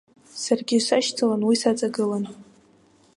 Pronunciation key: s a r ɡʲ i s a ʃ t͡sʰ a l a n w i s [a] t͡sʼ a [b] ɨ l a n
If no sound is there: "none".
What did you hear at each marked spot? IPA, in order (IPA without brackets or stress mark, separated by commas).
a, ɡ